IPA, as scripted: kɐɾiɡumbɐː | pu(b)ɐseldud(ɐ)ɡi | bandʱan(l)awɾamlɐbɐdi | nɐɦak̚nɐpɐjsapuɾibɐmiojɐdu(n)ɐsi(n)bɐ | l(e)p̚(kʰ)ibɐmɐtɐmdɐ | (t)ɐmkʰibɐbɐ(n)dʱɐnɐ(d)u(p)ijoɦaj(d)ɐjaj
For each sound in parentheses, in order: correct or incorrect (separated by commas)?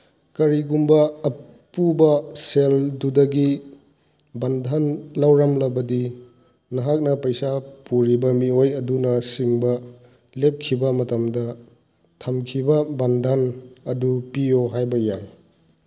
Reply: correct, correct, correct, correct, incorrect, correct, correct, incorrect, correct, correct, correct, incorrect